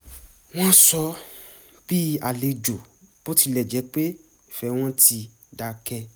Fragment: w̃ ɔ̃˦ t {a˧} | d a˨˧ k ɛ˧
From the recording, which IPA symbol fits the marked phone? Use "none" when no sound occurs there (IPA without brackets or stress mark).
i˧